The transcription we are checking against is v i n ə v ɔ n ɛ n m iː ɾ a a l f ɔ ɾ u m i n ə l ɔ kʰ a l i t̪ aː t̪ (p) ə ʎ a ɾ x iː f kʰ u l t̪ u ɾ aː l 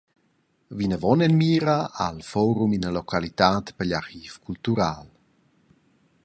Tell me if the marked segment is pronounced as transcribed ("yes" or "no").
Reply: yes